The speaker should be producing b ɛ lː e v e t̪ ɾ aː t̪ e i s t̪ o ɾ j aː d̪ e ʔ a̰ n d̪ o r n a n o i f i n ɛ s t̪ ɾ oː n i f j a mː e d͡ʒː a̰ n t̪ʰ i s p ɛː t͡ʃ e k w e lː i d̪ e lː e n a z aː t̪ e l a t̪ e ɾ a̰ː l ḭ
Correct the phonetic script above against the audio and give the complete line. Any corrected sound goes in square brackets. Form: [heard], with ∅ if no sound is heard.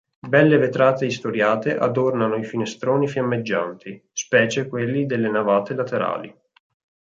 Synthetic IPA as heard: b ɛ lː e v e t̪ ɾ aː t̪ e i s t̪ o ɾ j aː [t̪] e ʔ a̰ [∅] d̪ o r n a n o i f i n [e] s t̪ ɾ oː n i f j a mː e d͡ʒː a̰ n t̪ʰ i s p ɛː t͡ʃ e k w e lː i d̪ e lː e n a [v] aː t̪ e l a t̪ e ɾ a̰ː l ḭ